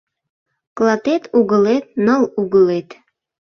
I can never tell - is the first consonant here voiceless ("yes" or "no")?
yes